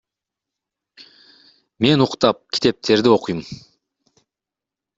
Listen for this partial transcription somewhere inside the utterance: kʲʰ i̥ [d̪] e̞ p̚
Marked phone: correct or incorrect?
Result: incorrect